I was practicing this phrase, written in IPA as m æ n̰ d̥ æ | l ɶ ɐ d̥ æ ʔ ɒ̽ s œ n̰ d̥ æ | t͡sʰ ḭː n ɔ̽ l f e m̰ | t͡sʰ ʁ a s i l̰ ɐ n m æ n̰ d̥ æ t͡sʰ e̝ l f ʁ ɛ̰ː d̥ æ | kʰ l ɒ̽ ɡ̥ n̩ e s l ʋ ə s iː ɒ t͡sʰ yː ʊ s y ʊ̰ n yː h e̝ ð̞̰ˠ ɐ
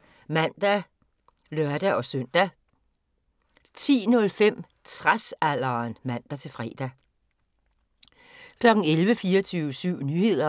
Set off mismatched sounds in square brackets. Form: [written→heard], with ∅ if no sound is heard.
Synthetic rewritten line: m æ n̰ d̥ æ | l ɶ ɐ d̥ æ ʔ ɒ̽ s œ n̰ d̥ æ | t͡sʰ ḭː n ɔ̽ l f e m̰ | t͡sʰ ʁ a s [i→æ] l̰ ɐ n m æ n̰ d̥ æ t͡sʰ e̝ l f ʁ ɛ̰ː d̥ æ | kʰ l ɒ̽ ɡ̥ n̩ e [s→∅] l ʋ ə [s→f] iː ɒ t͡sʰ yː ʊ s y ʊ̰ n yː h e̝ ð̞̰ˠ ɐ